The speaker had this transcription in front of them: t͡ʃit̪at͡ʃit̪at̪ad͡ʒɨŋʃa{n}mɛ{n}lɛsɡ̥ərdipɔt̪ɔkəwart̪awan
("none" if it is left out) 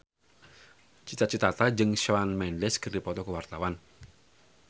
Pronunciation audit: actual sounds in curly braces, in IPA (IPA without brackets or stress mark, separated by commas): n, n